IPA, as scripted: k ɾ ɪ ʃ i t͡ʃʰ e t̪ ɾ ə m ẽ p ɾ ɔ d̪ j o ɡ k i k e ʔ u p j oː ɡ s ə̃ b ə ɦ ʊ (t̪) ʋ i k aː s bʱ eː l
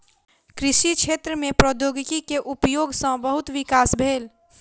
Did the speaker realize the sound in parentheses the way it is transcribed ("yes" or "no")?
yes